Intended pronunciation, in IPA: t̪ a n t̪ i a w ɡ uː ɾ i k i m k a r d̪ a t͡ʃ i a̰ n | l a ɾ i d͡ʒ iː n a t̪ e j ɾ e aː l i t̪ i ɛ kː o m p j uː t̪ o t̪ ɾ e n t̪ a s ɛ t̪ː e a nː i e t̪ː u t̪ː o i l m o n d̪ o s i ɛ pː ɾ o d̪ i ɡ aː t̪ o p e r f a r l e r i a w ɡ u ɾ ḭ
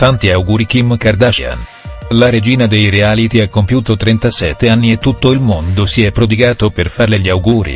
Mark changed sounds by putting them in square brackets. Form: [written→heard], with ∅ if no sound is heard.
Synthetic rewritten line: t̪ a n t̪ i a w ɡ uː ɾ i k i m k a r d̪ a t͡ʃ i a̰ n | l a ɾ [i→e] d͡ʒ iː n a [t̪→d̪] e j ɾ e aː l i t̪ i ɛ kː o m p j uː t̪ o t̪ ɾ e n t̪ a s ɛ t̪ː e a nː i e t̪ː u t̪ː o i l m o n d̪ o s i ɛ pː ɾ o d̪ i ɡ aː t̪ o p e r f a r l e [r→ʎ] i a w ɡ [u→uː] ɾ ḭ